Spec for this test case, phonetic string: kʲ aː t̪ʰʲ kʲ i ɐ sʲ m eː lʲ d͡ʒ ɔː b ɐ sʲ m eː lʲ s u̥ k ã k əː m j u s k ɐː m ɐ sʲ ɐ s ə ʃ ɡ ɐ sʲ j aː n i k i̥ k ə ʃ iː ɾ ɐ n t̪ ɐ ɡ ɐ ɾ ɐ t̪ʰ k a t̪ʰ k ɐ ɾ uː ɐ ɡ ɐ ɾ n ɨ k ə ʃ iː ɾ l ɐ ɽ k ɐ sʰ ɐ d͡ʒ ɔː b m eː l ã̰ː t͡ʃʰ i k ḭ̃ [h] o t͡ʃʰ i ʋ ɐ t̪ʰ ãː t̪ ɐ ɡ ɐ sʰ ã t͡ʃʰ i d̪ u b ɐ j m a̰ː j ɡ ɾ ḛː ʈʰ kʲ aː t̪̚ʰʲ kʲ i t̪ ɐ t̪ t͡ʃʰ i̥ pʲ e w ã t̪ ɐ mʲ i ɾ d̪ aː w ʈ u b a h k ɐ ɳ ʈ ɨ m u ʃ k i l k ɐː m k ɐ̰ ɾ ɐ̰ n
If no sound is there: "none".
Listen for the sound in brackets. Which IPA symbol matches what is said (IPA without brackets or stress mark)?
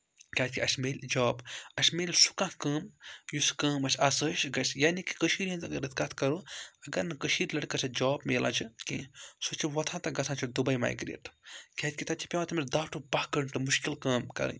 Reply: s